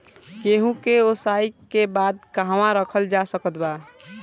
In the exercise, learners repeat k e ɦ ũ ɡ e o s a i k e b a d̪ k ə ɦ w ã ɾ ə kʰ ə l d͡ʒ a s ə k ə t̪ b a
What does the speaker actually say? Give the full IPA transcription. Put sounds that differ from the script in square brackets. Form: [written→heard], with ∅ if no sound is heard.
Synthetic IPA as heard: k e ɦ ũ [ɡ→k] e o s a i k e b a d̪ k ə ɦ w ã ɾ ə kʰ ə l d͡ʒ a s ə k ə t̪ b a

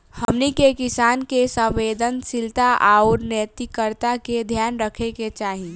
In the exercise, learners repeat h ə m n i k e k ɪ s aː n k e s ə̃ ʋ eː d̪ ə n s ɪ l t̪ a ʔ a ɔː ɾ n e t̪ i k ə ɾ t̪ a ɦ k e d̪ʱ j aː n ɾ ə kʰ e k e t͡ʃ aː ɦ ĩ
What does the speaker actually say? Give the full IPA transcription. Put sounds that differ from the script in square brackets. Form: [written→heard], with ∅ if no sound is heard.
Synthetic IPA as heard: h ə m n i k e k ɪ s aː n k e s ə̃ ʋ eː d̪ ə n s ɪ l t̪ a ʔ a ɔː ɾ n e t̪ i k ə ɾ t̪ a [ɦ→∅] k e d̪ʱ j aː n ɾ ə kʰ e k e t͡ʃ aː ɦ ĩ

